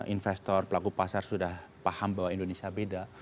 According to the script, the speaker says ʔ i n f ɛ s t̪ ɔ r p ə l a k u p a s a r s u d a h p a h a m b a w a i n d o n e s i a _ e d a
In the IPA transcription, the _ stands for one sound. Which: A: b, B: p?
A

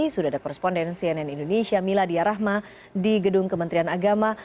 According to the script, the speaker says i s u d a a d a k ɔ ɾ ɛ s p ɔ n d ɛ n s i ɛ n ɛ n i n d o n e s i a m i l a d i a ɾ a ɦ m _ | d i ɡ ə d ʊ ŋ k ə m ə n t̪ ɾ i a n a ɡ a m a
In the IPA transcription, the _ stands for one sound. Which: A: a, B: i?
A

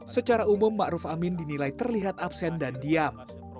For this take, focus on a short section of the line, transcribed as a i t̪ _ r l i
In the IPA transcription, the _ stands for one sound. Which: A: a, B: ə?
B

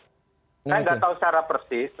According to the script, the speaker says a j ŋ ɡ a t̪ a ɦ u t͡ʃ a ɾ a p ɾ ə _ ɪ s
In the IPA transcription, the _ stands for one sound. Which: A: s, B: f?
A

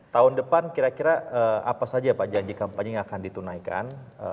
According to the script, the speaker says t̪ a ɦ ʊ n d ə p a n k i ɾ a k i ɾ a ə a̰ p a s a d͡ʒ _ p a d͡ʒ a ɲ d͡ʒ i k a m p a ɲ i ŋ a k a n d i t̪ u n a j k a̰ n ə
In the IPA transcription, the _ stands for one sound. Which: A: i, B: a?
B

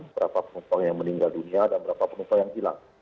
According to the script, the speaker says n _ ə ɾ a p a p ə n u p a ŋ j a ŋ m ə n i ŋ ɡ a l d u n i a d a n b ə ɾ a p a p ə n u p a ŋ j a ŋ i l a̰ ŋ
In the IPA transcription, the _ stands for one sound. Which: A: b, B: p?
A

